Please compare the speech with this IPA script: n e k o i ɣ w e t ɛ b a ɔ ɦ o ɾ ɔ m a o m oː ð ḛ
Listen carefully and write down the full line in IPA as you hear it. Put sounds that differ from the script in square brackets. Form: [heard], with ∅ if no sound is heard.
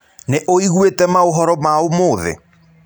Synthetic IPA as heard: n e [ʔ] o i ɣ w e t ɛ [m] a [o] ɦ [ɔ] ɾ ɔ m a o m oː ð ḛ